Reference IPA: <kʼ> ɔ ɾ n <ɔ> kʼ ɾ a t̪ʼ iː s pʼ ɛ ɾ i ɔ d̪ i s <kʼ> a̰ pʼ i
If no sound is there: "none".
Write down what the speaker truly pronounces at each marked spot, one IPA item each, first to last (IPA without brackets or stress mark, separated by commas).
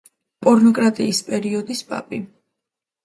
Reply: pʼ, ɔ, pʼ